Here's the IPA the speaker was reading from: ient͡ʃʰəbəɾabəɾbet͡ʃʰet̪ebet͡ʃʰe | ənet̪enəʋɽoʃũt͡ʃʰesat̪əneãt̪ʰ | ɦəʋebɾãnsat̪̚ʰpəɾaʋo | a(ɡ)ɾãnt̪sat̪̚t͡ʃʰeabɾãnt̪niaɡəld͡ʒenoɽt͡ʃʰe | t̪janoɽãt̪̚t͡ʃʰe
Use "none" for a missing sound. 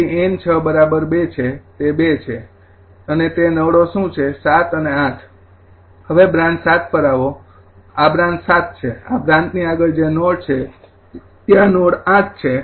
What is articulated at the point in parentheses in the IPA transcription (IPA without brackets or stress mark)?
b